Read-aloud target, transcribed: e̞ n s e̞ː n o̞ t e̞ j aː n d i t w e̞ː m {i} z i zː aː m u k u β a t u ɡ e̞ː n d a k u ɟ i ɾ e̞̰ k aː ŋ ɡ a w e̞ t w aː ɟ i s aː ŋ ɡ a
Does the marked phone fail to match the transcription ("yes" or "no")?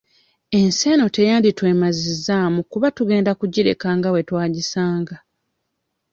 yes